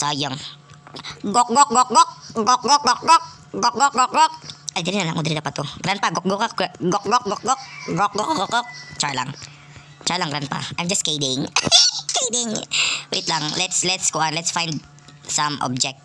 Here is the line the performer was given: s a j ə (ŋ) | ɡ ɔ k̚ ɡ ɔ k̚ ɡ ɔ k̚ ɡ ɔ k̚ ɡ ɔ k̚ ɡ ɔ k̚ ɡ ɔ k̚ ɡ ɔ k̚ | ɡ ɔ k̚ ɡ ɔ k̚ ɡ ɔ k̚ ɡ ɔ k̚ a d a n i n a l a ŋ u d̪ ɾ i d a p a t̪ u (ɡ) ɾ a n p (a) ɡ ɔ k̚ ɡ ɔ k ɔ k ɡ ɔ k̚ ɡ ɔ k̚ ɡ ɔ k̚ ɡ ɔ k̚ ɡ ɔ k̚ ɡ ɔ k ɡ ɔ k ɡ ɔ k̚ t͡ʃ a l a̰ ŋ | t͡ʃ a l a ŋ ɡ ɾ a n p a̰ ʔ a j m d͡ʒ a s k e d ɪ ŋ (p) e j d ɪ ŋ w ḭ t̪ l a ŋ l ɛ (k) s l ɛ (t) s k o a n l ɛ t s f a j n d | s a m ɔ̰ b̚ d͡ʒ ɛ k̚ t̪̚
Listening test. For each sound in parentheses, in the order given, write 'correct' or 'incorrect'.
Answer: correct, correct, correct, incorrect: k, incorrect: t, correct

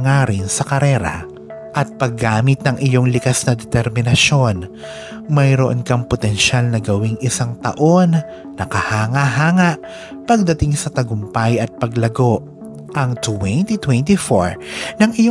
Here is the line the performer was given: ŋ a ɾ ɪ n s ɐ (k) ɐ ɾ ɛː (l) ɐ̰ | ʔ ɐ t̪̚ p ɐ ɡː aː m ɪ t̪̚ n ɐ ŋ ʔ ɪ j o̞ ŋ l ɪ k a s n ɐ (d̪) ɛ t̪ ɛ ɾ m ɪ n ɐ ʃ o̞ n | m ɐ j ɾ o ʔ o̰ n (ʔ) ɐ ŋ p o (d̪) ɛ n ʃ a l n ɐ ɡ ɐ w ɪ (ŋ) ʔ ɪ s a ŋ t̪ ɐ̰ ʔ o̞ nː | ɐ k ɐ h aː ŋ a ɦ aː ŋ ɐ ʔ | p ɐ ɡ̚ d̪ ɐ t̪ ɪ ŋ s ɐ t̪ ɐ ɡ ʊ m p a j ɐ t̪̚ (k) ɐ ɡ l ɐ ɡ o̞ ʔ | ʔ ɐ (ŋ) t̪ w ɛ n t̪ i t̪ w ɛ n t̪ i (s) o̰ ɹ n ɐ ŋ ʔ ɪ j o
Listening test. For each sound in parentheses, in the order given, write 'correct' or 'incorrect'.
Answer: correct, incorrect: ɾ, correct, incorrect: k, incorrect: t̪, correct, incorrect: p, correct, incorrect: f

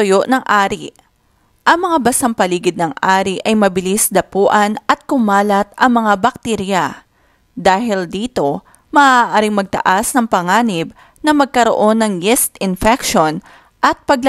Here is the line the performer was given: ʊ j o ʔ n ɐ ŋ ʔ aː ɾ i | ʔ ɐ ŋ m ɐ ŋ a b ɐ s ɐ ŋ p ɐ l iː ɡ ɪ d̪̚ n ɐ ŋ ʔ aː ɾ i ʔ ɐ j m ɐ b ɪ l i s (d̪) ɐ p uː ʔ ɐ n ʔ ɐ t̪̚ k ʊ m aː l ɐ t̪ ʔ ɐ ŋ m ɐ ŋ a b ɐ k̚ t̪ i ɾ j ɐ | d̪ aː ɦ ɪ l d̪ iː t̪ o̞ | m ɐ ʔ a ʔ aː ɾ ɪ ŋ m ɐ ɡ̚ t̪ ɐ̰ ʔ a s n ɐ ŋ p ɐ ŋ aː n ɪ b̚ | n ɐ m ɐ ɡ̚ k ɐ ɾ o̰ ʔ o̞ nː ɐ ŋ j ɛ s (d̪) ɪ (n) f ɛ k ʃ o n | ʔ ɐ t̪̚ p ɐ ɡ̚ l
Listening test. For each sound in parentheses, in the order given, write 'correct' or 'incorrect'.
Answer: correct, incorrect: t̪, correct

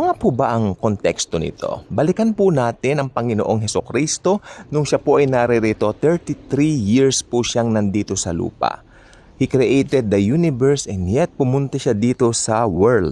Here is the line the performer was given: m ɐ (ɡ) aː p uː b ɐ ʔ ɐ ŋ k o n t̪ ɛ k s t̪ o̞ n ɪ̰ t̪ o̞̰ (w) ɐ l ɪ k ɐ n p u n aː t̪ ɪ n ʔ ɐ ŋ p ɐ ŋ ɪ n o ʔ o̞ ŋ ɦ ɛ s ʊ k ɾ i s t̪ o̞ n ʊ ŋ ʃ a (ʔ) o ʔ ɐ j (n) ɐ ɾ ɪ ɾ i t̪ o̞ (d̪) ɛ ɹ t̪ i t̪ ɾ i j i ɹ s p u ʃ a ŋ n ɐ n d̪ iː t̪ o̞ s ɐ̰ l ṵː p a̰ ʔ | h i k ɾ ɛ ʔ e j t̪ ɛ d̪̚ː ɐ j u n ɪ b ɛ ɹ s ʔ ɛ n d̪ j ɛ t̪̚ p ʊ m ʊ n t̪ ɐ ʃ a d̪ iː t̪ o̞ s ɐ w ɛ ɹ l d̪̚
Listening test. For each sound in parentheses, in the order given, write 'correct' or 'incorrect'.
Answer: incorrect: ŋ, incorrect: b, incorrect: p, correct, incorrect: t̪

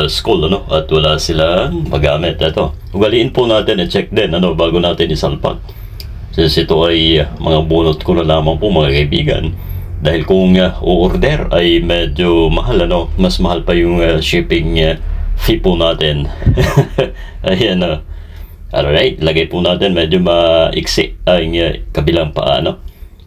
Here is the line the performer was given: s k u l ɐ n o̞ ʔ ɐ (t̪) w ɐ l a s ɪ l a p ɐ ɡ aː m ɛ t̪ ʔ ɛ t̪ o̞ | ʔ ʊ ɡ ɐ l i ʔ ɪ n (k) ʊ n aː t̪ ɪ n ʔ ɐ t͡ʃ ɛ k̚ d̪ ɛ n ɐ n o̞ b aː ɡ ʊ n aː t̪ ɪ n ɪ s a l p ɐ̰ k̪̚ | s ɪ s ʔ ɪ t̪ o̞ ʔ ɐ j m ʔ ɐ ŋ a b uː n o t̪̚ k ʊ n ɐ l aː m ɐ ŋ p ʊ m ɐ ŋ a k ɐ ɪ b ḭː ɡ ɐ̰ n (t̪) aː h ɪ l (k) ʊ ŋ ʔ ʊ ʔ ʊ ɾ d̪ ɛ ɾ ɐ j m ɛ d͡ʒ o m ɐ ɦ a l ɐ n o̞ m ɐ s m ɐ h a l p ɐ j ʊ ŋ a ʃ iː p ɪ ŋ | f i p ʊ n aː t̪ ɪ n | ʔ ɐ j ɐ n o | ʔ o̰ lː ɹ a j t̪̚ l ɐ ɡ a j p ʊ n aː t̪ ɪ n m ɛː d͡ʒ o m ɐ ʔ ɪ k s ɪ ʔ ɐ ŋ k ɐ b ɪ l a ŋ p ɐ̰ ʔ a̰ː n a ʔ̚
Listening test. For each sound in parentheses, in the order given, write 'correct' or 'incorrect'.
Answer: correct, incorrect: p, incorrect: d̪, correct

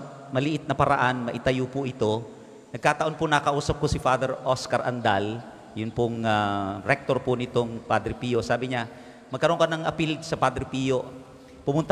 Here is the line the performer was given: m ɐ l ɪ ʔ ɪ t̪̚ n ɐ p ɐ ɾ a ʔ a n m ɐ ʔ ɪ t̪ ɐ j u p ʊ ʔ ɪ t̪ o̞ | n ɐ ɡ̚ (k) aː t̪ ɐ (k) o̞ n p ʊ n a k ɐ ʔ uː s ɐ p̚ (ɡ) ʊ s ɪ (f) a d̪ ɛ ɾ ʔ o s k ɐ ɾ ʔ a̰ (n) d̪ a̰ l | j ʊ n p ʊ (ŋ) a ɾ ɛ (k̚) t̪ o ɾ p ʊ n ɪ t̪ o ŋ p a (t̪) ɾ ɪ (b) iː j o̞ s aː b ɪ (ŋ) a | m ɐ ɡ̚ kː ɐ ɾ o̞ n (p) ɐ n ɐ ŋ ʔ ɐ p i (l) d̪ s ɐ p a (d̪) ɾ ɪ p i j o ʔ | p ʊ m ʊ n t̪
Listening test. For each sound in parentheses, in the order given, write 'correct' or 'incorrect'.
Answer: correct, incorrect: ʔ, incorrect: k, correct, correct, correct, correct, incorrect: d̪, incorrect: p, incorrect: ɲ, incorrect: k, correct, correct

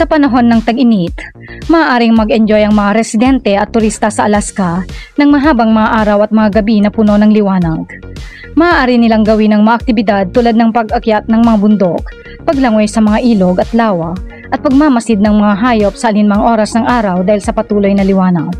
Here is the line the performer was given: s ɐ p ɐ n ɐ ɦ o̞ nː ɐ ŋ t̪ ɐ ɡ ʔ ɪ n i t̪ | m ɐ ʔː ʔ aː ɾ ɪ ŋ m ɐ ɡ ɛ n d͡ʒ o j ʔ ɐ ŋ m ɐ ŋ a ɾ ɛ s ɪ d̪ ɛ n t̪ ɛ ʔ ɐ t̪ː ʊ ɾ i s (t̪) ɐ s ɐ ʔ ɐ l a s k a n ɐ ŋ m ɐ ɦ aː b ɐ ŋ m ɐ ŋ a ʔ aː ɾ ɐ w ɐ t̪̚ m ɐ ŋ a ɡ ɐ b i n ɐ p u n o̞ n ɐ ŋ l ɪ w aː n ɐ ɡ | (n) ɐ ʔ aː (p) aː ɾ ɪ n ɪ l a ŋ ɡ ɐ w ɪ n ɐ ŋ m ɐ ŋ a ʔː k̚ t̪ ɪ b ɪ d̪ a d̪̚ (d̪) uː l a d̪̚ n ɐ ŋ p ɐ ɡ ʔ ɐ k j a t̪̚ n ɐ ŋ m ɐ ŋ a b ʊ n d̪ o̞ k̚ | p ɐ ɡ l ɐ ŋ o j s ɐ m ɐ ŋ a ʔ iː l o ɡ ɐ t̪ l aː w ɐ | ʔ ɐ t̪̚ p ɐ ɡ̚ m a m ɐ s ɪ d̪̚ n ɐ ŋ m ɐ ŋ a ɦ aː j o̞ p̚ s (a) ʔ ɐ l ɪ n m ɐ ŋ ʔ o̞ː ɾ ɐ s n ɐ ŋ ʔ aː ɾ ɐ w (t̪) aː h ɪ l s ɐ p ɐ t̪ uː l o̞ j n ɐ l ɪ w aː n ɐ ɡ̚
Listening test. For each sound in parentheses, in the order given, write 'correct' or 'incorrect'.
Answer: correct, incorrect: m, incorrect: ʔ, incorrect: t̪, incorrect: ɐ, incorrect: d̪

